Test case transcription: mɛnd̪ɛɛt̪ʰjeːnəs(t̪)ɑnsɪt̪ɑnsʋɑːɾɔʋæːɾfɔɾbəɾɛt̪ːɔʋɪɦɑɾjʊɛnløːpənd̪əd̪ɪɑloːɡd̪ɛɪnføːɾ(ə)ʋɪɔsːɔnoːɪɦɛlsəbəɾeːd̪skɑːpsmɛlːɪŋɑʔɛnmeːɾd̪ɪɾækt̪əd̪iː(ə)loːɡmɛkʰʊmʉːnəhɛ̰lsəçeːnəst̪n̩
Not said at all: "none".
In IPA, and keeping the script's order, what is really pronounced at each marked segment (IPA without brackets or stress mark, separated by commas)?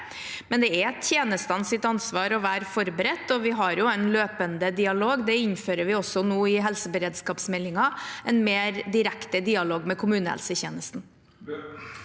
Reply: t̪, ə, ɑ